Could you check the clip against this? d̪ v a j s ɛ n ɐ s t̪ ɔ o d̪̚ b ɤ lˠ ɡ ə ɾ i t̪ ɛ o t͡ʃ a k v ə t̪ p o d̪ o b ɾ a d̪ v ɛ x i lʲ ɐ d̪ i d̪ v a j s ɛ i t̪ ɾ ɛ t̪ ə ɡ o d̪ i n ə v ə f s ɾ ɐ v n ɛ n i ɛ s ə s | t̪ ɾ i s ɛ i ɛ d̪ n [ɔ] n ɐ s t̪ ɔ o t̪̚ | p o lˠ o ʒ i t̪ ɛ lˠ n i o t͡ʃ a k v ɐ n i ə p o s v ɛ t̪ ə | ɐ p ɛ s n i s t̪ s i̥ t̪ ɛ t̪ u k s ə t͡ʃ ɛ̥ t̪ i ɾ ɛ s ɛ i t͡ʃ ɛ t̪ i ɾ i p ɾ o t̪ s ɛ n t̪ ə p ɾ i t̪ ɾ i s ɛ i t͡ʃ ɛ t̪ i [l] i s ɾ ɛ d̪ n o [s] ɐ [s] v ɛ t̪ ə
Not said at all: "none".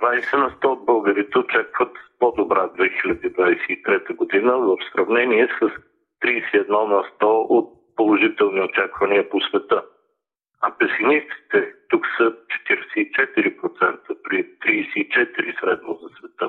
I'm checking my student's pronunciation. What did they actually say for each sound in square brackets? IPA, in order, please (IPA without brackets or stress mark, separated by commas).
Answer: ɔ, ɾ, z, s